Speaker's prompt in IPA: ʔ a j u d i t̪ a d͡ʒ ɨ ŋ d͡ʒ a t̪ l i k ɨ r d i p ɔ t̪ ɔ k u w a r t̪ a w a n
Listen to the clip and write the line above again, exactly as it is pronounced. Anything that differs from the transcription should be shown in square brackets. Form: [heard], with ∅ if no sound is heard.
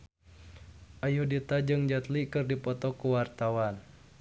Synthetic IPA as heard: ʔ a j u d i t̪ a d͡ʒ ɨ ŋ d͡ʒ a t̪ l i k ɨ r d i p ɔ t̪ ɔ k u w a r t̪ a w a n